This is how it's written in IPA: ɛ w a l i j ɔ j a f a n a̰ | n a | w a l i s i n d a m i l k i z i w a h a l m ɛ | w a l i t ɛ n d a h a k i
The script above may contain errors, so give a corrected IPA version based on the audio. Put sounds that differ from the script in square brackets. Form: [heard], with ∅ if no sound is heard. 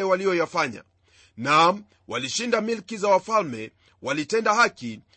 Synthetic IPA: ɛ w a l i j ɔ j a f a [ɲ] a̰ | n a | w a l i [ʃ] i n d a m i l k i z [a] w a [f] a l m ɛ | w a l i t ɛ n d a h a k i